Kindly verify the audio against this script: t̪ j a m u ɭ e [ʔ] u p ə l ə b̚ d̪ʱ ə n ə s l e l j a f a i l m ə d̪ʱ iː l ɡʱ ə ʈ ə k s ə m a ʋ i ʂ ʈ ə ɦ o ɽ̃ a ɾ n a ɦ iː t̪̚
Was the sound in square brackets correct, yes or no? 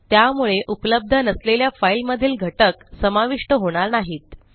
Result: yes